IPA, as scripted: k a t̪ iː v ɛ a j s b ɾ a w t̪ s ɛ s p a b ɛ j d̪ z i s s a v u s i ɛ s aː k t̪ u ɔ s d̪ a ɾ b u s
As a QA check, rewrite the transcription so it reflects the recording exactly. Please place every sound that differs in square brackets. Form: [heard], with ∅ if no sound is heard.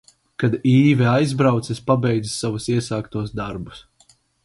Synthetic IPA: k a [d̪] iː v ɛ a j [z] b ɾ a w t̪ s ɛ s p a b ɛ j d̪ z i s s a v u s i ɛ s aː k t̪ u ɔ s d̪ a ɾ b u s